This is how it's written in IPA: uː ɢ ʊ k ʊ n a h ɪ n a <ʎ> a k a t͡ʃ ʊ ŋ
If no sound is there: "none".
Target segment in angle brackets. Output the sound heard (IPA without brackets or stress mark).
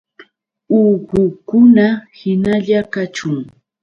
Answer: ʎ